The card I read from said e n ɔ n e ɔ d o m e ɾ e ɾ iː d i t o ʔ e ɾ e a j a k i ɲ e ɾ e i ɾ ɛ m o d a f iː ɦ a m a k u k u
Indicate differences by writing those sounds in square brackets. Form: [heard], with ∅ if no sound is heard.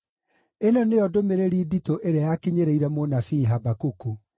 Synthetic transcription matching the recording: e n ɔ n e ɔ d o m e ɾ e ɾ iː d i t o ʔ e ɾ e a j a k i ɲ e ɾ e i ɾ ɛ m o [n] a f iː ɦ a [b] a k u k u